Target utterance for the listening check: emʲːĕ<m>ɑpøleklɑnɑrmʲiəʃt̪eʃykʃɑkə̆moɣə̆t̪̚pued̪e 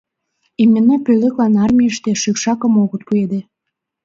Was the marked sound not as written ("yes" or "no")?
yes